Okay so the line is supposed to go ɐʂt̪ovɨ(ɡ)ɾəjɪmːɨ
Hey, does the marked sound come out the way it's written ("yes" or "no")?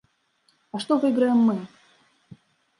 yes